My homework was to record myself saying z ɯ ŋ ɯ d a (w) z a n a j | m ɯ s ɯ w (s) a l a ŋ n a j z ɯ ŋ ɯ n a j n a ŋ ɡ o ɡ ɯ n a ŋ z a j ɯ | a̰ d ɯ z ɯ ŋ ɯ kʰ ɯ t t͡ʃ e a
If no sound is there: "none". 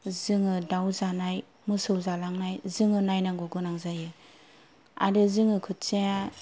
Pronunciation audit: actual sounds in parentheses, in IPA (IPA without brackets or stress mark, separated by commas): w, z